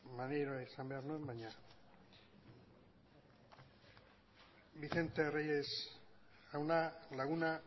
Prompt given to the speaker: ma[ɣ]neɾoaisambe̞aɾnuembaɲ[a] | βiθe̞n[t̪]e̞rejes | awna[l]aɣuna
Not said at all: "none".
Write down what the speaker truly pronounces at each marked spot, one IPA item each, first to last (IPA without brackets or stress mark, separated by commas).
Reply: none, a, t̪, l